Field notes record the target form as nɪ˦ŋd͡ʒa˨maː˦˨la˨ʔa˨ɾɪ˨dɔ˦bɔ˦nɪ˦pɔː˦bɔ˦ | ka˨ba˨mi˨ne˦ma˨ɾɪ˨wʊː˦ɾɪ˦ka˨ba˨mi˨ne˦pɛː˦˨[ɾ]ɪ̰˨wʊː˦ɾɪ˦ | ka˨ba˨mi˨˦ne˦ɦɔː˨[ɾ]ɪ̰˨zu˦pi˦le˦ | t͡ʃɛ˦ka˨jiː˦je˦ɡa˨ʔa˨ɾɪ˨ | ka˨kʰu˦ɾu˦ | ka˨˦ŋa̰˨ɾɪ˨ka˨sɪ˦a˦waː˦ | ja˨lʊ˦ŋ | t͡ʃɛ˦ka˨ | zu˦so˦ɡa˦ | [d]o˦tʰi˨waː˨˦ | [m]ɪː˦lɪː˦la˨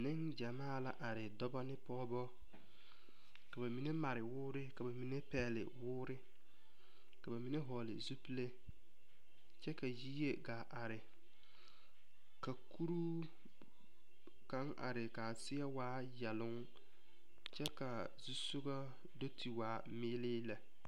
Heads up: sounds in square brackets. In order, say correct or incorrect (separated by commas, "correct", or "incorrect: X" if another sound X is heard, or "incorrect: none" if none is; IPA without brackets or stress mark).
incorrect: l, incorrect: l, correct, correct